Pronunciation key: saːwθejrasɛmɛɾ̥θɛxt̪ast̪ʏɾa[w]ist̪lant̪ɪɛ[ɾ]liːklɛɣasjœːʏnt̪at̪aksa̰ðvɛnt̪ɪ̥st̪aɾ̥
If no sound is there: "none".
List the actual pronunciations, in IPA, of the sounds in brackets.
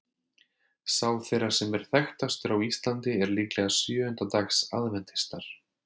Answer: w, ɾ

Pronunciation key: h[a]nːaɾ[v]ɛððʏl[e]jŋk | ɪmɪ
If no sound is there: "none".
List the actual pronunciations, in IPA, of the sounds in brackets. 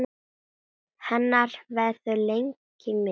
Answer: ɛ, v, e

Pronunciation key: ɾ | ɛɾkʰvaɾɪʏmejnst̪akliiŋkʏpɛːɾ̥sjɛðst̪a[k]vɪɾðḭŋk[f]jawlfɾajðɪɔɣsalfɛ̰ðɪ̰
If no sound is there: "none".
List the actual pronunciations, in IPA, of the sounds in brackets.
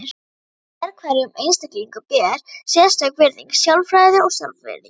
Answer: k, s

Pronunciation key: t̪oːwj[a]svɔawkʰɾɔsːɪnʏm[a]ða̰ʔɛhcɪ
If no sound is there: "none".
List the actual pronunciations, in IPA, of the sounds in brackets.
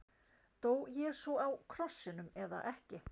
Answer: ɛ, ɛ

